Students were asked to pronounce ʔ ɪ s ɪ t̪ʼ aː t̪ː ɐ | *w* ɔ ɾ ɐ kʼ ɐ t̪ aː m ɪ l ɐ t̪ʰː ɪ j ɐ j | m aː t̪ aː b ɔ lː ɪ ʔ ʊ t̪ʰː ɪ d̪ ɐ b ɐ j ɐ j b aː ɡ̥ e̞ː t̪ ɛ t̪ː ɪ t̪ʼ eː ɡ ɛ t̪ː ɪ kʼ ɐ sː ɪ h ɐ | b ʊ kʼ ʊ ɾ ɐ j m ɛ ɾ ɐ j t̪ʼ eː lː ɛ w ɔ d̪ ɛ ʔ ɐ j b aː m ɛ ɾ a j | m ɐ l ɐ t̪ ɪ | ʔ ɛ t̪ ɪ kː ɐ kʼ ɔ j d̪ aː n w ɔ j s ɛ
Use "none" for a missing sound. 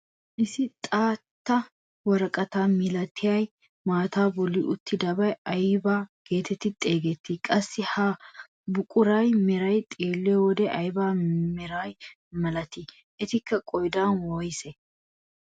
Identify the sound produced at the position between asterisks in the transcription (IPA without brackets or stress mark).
w